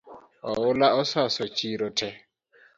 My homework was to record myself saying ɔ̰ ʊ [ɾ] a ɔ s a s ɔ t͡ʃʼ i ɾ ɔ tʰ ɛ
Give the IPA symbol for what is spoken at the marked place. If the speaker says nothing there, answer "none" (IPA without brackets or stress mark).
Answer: l